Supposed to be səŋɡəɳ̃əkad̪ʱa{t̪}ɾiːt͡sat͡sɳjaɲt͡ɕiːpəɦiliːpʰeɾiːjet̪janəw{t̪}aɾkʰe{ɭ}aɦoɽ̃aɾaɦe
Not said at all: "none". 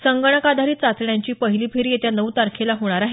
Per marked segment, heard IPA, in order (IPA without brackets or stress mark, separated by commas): none, t̪, l